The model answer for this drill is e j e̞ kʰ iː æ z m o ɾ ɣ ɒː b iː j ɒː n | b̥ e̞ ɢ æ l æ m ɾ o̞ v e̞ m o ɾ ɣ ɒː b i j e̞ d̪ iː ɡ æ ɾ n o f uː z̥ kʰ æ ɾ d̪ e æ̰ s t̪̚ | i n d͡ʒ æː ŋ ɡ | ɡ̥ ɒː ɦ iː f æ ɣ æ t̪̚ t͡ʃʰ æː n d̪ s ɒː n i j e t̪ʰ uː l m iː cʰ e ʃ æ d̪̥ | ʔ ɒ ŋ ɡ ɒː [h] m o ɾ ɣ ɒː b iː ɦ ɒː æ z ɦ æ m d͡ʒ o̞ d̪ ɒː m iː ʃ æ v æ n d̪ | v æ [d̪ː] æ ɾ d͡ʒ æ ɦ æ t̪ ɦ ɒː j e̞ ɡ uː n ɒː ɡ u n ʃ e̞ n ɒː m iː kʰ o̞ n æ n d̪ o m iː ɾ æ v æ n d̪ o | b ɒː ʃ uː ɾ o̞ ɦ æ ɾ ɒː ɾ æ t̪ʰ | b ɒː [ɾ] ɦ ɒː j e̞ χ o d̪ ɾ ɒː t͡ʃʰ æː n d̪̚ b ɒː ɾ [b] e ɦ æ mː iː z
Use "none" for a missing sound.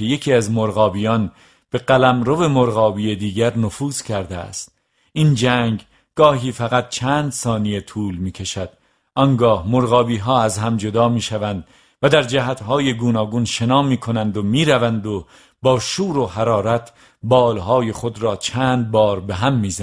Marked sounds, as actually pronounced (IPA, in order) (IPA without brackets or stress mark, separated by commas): h, d̪, l, b